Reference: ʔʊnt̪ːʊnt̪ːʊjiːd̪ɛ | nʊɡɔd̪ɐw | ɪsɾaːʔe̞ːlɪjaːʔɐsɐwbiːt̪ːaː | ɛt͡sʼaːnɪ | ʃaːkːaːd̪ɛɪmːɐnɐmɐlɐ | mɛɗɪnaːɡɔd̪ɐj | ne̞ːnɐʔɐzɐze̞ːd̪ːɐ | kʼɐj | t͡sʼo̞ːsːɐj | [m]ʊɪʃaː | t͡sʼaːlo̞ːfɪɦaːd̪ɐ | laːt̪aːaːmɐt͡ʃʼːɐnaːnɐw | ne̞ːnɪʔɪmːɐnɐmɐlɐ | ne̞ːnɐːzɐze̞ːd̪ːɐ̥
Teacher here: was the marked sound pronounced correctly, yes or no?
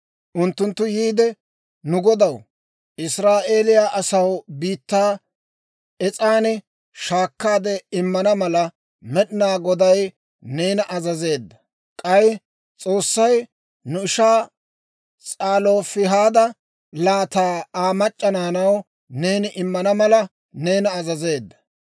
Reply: no